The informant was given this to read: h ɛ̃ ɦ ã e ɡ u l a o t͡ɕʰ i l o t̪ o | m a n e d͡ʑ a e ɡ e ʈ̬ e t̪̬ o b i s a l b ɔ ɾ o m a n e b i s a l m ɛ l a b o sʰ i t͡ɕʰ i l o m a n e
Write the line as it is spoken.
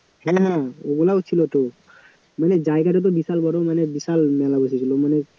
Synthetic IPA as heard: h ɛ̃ ɦ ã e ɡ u l a o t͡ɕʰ i l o t̪ o | m a n e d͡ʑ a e ɡ a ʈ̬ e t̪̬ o b i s a l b ɔ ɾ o m a n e b i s a l m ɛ l a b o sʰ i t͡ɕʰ i l o m a n e